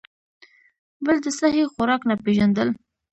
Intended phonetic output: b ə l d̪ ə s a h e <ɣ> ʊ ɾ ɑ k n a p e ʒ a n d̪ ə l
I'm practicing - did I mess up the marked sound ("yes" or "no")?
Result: yes